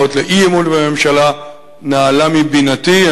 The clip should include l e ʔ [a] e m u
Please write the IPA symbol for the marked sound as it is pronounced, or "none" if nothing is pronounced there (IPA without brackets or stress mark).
i